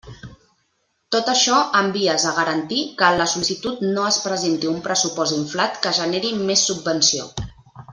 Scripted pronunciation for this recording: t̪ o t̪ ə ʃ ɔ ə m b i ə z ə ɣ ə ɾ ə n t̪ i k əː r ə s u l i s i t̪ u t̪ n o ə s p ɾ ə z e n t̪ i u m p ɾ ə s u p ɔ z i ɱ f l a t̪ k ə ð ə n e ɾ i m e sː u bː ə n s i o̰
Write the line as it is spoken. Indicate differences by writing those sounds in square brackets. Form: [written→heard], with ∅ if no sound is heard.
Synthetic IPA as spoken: t̪ o t̪ ə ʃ ɔ ə m b i ə z ə ɣ ə ɾ ə n t̪ i k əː [r→l] ə s u l i s i t̪ u t̪ n o ə s p ɾ ə z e n t̪ i u m p ɾ ə s u p ɔ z i ɱ f l a t̪ k ə [ð→ʒ] ə n e ɾ i m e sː u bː ə n s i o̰